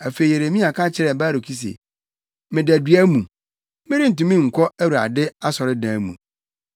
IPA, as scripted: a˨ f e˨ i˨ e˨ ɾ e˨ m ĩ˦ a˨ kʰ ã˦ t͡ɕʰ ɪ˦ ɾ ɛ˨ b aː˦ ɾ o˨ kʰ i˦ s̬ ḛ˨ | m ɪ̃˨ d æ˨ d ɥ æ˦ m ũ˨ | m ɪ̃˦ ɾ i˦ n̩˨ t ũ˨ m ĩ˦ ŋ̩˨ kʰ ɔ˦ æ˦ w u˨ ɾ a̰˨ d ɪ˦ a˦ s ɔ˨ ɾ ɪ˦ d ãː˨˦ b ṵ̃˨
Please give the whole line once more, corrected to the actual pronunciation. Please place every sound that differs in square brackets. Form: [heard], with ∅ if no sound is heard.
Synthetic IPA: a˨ f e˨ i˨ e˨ ɾ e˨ m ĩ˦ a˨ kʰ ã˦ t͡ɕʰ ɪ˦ ɾ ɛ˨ b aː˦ ɾ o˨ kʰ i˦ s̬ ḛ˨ | m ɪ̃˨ d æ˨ d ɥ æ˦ m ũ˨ | m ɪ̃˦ ɾ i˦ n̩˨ t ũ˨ m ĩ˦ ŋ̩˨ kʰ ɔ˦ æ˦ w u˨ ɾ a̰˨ d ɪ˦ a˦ s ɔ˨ ɾ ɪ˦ d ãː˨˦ [m] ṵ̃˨